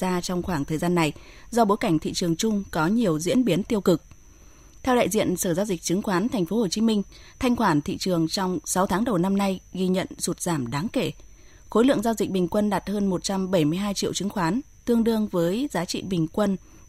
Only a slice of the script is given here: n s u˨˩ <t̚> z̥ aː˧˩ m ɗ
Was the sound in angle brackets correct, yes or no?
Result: yes